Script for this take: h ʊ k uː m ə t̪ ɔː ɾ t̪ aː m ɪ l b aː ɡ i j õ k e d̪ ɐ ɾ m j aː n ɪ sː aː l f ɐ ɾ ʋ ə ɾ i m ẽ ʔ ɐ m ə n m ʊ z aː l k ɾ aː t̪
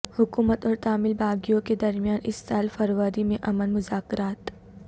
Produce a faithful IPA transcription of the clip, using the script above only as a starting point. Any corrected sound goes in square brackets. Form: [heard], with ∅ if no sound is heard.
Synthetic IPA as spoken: h ʊ k uː m ə t̪ ɔː ɾ t̪ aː m ɪ l b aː ɡ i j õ k e d̪ ɐ ɾ m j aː n ɪ sː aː l f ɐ ɾ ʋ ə ɾ i m ẽ ʔ ɐ m ə n m ʊ z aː [∅] k ɾ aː t̪